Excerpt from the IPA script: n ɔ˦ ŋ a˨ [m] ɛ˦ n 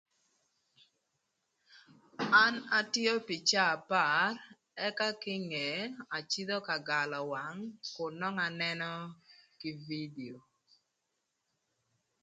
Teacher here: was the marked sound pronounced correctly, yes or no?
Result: no